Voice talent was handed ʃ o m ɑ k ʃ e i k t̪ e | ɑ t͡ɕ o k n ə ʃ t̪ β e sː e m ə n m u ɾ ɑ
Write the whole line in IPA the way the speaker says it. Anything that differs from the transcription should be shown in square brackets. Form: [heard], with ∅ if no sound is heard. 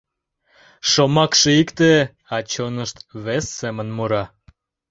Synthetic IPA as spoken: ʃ o m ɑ k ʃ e i k t̪ e | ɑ t͡ɕ o [∅] n ə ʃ t̪ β e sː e m ə n m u ɾ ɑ